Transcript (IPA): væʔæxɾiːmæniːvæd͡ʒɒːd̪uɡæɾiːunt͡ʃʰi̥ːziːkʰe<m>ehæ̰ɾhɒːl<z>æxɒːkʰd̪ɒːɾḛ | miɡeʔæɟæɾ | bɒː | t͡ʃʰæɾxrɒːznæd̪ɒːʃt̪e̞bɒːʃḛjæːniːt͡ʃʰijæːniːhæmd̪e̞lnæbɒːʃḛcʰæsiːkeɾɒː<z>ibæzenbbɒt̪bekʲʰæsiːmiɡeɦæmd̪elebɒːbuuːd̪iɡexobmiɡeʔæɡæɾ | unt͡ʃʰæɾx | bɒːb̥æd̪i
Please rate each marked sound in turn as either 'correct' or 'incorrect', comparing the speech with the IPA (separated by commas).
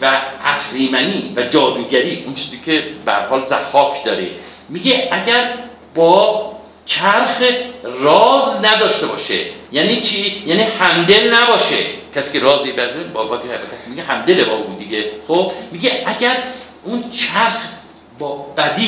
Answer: incorrect, correct, correct